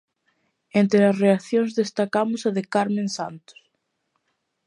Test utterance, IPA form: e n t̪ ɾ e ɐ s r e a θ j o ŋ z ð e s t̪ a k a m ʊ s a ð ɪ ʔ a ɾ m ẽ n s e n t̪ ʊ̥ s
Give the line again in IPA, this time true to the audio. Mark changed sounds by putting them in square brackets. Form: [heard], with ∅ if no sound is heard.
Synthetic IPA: e n t̪ ɾ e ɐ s r e a θ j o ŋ z ð e s t̪ a k a m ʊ s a ð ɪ [k] a ɾ m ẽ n s [a] n t̪ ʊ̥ s